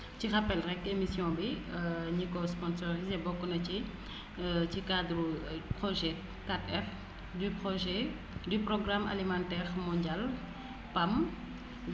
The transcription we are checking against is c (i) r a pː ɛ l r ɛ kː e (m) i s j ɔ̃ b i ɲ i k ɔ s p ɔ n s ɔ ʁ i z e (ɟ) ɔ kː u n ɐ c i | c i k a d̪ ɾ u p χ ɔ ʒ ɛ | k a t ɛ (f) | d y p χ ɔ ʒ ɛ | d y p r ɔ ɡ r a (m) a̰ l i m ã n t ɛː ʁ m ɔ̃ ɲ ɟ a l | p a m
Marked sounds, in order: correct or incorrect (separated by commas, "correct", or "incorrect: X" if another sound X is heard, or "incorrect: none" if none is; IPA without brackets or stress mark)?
correct, correct, incorrect: b, correct, correct